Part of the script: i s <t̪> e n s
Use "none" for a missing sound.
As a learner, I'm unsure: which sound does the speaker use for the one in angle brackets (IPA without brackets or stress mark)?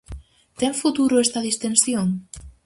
t̪